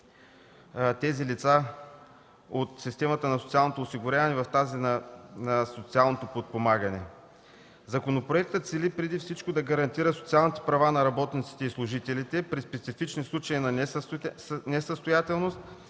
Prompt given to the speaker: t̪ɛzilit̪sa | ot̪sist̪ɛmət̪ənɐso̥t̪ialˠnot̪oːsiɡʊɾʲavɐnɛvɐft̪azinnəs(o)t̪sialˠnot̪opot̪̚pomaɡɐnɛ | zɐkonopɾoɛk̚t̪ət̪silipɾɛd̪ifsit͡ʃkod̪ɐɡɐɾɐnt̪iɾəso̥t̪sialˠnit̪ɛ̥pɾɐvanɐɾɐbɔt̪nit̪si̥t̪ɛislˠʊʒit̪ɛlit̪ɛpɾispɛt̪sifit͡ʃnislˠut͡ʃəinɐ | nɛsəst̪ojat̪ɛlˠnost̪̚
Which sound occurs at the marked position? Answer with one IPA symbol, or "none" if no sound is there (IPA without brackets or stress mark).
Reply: o